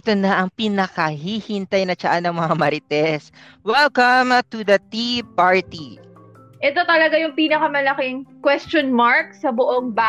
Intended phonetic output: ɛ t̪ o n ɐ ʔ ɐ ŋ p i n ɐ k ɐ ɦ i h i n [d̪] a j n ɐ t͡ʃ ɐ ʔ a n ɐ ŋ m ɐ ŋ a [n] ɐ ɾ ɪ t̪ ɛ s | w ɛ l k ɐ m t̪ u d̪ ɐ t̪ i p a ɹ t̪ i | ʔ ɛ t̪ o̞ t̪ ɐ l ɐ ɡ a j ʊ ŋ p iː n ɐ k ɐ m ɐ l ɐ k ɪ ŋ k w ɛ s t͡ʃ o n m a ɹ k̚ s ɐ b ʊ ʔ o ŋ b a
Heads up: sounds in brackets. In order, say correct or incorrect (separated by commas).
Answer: incorrect, incorrect